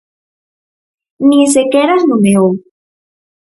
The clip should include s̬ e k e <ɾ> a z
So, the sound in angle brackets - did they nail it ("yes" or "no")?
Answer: yes